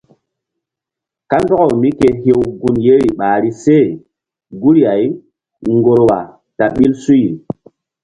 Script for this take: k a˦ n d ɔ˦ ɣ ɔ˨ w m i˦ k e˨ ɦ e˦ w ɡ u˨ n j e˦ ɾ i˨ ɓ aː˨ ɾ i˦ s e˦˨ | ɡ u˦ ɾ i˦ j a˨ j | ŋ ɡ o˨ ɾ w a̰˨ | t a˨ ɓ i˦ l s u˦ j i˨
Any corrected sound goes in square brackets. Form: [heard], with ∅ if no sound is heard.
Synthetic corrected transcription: k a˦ n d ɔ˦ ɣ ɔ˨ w m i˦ k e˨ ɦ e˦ w ɡ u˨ n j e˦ ɾ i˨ ɓ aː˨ ɾ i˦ s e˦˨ | ɡ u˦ ɾ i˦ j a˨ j | ŋ ɡ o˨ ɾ w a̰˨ | t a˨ ɓ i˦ l s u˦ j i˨